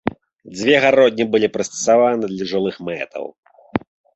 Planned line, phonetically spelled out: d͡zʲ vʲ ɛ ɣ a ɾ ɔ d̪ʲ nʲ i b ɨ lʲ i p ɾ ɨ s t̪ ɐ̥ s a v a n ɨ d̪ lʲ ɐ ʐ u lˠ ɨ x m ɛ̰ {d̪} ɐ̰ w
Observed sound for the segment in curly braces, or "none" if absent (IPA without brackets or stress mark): t̪